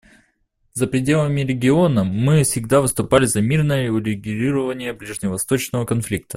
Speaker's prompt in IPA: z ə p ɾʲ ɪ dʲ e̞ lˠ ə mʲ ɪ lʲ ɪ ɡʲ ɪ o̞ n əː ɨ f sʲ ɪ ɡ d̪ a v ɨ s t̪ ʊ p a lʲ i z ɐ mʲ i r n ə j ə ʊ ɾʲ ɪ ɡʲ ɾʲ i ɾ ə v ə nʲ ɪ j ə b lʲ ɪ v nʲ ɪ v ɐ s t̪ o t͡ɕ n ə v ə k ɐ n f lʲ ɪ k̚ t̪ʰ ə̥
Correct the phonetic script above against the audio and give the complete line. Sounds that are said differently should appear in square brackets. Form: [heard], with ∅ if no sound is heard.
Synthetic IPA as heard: z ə p ɾʲ ɪ dʲ e̞ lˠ ə mʲ ɪ [ɾʲ] ɪ ɡʲ ɪ o̞ n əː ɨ f sʲ ɪ ɡ d̪ a v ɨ s t̪ ʊ p a lʲ [ɪ] z ɐ mʲ i r n ə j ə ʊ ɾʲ ɪ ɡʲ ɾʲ i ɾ ə v ə nʲ ɪ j ə b lʲ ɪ [ʐ] nʲ ɪ v ɐ s t̪ o t͡ɕ n ə v ə k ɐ n f lʲ [i] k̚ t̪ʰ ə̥